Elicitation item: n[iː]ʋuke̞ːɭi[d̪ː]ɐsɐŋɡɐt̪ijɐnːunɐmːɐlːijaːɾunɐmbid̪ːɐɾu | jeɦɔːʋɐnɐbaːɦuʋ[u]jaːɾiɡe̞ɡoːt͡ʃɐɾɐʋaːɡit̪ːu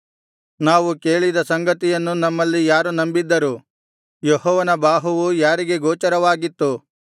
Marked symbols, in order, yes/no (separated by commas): no, no, yes